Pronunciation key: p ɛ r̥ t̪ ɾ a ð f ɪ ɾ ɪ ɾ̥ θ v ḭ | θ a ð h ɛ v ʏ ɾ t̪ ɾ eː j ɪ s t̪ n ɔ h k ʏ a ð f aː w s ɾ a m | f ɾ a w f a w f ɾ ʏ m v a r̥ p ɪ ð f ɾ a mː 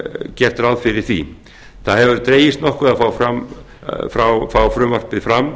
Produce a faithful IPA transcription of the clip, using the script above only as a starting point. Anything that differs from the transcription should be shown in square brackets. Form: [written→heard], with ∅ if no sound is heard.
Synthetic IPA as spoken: [p→c] ɛ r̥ t̪ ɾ a ð f ɪ ɾ ɪ ɾ̥ θ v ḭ | θ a ð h ɛ v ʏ ɾ t̪ ɾ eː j ɪ s t̪ n ɔ h k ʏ a ð f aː w [s→f] ɾ a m | f ɾ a w f a w f ɾ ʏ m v a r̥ p ɪ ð f ɾ a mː